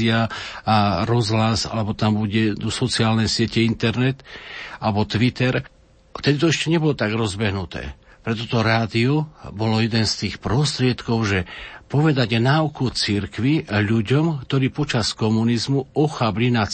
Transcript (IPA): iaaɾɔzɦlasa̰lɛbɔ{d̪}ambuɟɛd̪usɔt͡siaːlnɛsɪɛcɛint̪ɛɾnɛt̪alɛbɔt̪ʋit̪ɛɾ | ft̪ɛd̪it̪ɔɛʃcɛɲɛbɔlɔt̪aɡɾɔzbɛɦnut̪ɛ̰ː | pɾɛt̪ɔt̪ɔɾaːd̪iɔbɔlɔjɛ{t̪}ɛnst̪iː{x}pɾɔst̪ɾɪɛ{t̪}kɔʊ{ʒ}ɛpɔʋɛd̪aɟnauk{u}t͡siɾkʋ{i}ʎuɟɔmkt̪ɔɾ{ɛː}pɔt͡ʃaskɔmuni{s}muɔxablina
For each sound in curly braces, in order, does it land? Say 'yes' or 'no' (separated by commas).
no, no, yes, yes, yes, yes, yes, no, no